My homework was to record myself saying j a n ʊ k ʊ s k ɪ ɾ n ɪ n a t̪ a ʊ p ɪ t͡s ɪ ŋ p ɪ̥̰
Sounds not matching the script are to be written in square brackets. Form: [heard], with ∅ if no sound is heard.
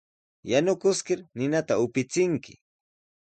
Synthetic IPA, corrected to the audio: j a n ʊ k ʊ s k ɪ ɾ n ɪ n a t̪ a ʊ p ɪ t͡s ɪ ŋ [k] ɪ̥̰